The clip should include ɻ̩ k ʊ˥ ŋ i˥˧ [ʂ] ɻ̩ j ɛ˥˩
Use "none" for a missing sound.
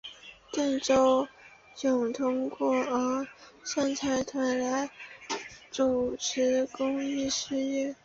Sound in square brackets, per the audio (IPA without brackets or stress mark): ʂ